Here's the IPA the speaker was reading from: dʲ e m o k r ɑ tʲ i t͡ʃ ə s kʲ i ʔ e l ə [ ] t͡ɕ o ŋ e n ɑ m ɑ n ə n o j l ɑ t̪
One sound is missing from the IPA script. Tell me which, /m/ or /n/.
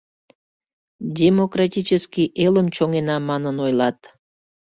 m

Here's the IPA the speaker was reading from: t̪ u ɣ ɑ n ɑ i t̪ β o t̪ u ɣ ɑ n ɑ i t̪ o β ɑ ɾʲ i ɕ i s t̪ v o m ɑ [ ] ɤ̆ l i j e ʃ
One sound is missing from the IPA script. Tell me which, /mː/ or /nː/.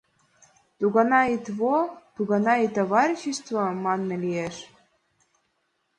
nː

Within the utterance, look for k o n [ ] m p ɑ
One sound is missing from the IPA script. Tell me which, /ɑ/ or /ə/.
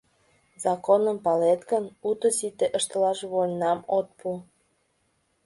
ə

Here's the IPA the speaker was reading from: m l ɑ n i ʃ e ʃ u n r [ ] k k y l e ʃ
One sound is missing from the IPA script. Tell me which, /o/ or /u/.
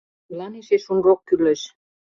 o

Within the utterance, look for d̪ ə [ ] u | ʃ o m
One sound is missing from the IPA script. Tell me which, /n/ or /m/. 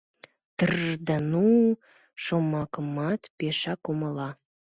n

